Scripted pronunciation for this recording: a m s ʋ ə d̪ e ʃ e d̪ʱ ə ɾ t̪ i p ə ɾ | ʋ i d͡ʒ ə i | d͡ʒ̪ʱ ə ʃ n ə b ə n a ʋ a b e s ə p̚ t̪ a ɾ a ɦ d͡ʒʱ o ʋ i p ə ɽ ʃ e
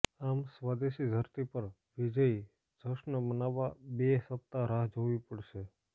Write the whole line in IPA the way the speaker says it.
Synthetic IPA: a m s ʋ a d̪ e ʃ i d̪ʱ ə ɾ t̪ i p ə ɾ | ʋ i d͡ʒ ə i | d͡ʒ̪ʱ ə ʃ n ə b ə n a ʋ a b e s ə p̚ t̪ a ɾ a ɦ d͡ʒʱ o ʋ i p ə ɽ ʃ e